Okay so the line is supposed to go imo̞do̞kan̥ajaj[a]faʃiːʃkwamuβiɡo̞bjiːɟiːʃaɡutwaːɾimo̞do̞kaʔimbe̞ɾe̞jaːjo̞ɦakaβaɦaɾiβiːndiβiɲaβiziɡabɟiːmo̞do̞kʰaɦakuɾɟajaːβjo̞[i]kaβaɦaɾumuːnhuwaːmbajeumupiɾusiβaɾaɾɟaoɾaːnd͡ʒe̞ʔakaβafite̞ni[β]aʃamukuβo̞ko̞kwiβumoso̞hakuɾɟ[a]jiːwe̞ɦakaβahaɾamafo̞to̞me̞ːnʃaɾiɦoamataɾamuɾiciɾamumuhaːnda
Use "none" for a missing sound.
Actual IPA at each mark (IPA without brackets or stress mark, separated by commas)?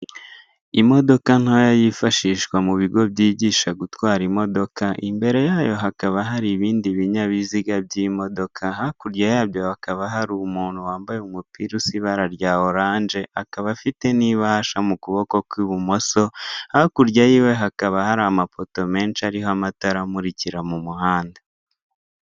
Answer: i, a, β, a